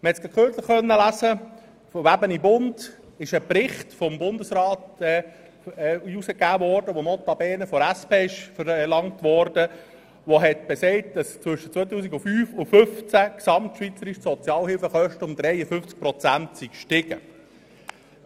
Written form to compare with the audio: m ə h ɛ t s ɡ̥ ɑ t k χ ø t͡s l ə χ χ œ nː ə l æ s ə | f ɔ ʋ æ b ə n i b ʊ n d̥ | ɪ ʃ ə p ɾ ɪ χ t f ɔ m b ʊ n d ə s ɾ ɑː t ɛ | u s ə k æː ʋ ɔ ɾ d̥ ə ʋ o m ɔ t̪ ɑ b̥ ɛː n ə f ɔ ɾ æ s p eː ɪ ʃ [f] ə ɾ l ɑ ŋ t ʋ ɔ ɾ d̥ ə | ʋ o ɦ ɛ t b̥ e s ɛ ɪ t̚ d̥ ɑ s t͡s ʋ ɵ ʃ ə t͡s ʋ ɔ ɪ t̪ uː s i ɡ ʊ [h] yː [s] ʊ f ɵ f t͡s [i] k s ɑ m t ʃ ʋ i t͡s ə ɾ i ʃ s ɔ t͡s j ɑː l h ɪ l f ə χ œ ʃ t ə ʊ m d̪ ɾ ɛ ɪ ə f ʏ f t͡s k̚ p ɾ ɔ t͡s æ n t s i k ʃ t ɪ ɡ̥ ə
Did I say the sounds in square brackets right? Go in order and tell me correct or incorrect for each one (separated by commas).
correct, incorrect, incorrect, incorrect